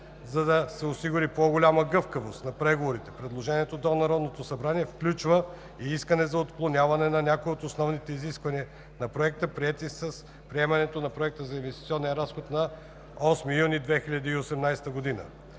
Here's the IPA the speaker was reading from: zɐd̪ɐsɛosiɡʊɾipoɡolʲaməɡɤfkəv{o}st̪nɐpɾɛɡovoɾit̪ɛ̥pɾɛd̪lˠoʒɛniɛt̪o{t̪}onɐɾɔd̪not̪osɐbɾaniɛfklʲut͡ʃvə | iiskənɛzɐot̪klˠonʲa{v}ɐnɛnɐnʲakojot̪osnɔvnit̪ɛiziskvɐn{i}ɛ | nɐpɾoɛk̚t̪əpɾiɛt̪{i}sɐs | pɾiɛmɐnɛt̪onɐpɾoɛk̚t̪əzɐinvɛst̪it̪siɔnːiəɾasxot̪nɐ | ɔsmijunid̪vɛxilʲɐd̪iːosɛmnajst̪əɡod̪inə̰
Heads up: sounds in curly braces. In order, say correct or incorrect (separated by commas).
correct, incorrect, correct, correct, correct